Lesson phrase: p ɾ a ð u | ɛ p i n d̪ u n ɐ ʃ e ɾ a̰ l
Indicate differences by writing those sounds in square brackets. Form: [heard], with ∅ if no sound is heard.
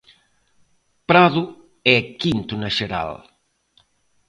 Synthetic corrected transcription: p ɾ a ð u | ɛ [k] i n [t̪] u n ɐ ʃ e ɾ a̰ l